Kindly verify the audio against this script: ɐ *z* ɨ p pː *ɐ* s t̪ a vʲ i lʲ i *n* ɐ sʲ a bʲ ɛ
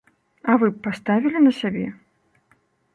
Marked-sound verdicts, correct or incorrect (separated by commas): incorrect, incorrect, correct